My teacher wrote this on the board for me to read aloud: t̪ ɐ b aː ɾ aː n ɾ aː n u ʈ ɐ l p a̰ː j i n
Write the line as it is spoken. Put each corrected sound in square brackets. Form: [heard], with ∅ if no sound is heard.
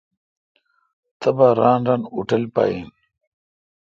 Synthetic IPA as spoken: t̪ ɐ b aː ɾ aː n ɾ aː n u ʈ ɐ l p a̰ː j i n